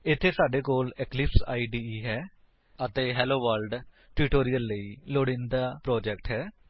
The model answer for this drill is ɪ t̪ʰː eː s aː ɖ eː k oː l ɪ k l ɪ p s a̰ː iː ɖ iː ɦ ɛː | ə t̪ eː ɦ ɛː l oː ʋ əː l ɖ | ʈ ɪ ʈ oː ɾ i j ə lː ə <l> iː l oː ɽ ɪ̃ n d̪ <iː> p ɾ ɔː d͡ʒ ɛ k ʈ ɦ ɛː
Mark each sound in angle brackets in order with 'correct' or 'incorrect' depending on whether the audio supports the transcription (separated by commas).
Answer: incorrect, incorrect